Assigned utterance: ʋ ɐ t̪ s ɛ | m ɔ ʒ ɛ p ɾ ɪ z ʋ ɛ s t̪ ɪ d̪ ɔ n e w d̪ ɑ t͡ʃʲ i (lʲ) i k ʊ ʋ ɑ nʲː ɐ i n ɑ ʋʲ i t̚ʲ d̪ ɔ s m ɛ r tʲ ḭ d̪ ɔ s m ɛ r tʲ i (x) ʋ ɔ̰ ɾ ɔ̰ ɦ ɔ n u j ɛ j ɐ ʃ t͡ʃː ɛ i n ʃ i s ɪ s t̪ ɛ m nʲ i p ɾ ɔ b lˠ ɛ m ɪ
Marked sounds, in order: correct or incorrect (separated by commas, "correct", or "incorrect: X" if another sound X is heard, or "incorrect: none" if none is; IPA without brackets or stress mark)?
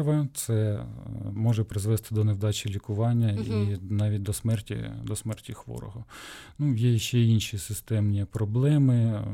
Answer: correct, correct